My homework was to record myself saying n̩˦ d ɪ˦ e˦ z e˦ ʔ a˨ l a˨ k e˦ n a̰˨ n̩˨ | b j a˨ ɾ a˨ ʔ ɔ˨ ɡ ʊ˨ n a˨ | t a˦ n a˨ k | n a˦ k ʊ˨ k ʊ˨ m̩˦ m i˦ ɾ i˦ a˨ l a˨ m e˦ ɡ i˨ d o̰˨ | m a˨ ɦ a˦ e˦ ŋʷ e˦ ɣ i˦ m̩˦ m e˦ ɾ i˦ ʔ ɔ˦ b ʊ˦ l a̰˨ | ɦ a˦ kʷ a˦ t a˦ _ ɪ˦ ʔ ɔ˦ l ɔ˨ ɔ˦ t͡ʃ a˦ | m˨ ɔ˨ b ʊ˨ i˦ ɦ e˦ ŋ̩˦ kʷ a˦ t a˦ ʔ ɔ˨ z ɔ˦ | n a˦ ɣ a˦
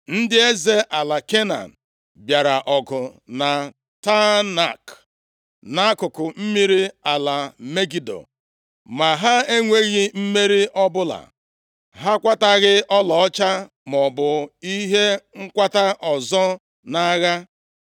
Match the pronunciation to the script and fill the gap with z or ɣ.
ɣ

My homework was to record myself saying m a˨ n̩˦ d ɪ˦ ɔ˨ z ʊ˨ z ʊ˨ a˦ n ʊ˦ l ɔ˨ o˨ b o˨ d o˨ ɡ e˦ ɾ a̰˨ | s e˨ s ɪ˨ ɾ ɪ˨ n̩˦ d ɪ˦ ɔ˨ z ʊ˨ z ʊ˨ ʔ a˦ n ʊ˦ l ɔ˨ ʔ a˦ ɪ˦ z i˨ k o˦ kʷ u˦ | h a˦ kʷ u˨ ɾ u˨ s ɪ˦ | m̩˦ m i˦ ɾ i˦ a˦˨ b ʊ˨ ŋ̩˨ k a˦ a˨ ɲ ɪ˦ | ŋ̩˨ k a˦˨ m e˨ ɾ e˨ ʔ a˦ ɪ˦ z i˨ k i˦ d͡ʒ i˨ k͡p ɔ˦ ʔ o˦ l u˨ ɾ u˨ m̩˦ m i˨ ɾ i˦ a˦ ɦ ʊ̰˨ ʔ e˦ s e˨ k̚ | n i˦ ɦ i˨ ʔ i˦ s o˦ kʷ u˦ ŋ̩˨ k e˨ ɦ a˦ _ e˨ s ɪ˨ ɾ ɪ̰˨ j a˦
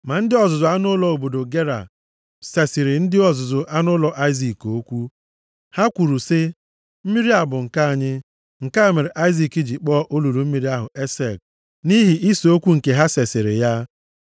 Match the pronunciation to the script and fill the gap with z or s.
s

